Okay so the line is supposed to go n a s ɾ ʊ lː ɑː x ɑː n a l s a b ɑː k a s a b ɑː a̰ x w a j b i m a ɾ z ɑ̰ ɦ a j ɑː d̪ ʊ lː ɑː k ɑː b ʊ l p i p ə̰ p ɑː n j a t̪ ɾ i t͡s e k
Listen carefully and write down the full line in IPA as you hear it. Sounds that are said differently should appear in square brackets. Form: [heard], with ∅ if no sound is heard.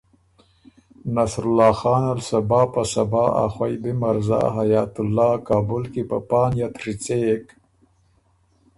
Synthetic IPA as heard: n a s ɾ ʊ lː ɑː x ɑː n a l s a b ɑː [p] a s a b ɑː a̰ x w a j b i m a ɾ z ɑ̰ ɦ a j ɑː [t̪] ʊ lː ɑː k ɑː b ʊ l [k] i p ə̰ p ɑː n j a t̪ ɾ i t͡s e k